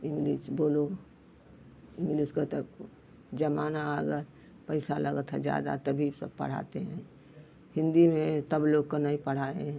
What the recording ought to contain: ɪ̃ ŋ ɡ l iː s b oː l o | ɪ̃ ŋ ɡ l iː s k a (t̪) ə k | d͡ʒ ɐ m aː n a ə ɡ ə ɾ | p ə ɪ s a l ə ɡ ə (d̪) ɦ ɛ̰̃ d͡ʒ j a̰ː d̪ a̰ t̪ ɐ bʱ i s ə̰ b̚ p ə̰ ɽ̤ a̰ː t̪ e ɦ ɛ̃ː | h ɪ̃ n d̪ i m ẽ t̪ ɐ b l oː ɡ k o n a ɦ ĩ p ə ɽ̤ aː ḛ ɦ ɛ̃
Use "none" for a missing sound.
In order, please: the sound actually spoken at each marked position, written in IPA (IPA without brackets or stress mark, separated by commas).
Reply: t̪, t̪